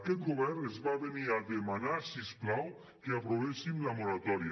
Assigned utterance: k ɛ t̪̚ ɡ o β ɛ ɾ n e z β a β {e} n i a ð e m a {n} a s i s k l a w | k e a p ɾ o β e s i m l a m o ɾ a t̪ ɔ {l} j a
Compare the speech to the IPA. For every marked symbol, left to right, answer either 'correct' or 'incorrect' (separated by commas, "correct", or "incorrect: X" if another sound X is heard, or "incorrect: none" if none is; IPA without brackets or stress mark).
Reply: correct, correct, incorrect: ɾ